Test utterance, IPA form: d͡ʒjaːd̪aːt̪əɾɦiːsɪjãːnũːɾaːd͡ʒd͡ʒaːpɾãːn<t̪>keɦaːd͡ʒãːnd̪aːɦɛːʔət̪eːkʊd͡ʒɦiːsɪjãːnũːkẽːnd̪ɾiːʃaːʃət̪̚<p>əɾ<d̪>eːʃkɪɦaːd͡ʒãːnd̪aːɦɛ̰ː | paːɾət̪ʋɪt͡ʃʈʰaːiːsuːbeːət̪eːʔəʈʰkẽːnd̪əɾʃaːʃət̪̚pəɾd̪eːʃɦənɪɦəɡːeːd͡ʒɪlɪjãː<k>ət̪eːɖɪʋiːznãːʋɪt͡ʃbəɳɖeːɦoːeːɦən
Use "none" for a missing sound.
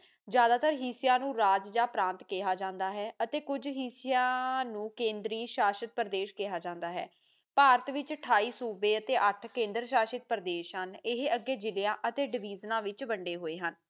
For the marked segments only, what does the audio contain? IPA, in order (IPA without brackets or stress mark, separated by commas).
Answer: t̪, p, d̪, ʔ